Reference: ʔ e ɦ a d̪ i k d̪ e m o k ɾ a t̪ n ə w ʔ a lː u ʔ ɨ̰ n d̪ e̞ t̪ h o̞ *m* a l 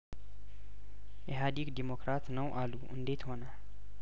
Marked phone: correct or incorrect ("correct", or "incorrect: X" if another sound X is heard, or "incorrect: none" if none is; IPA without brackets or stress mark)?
incorrect: n